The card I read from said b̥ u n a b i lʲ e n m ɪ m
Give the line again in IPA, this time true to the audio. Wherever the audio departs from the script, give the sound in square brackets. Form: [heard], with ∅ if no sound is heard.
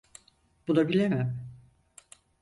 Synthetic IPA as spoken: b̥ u n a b i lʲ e [∅] m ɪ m